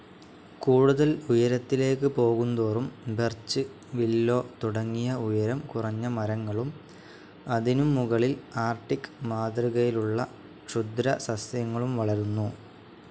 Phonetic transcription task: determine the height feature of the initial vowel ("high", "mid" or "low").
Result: high